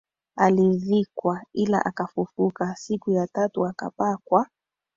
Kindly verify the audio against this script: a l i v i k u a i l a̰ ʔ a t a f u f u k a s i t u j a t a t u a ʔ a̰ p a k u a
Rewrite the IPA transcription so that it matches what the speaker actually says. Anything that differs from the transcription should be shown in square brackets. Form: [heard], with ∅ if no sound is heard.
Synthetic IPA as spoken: a l i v i k [w] a i l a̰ ʔ a [k] a f u f u k a s i [k] u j a t a t u a [k] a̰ p a k [w] a